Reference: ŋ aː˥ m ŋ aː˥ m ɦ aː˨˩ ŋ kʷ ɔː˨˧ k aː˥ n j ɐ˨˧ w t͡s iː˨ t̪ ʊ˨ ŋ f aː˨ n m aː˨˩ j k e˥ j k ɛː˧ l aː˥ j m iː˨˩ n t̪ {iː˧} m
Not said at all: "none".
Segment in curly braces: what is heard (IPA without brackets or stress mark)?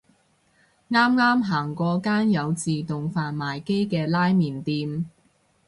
iː˧